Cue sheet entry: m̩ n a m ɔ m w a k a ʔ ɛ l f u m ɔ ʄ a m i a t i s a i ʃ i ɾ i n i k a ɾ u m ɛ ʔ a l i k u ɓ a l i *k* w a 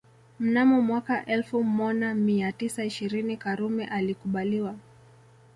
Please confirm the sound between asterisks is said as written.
no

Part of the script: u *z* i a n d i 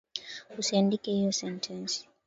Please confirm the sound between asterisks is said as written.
no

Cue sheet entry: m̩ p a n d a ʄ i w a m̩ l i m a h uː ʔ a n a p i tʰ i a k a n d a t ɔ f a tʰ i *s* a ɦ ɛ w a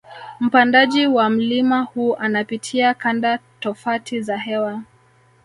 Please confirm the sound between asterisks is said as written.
no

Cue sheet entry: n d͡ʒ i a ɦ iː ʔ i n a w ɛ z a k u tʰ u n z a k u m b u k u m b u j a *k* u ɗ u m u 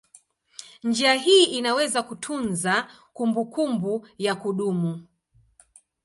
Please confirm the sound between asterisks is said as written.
yes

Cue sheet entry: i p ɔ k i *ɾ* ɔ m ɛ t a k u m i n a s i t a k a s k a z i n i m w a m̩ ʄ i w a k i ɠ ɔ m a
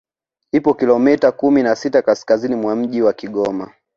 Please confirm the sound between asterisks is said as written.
no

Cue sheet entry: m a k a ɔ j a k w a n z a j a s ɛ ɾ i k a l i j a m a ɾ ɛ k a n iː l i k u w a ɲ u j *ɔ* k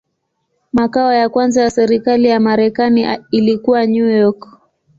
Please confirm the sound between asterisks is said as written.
yes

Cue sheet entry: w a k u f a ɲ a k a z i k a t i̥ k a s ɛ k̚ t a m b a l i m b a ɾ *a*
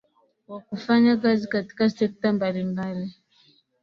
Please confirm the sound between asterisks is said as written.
no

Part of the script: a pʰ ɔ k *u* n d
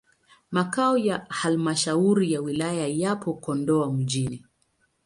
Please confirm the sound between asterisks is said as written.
no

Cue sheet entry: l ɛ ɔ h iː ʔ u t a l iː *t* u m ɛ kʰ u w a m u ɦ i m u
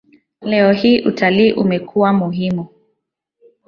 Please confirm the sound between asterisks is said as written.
no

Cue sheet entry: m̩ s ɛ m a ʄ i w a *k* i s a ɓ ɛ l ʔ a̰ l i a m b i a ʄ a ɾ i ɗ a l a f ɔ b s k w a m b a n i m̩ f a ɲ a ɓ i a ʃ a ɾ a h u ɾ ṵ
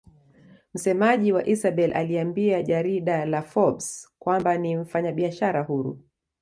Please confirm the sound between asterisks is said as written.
no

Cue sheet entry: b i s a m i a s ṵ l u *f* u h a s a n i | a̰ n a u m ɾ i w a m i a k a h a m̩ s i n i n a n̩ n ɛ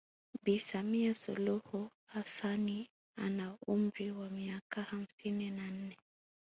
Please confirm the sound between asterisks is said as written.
no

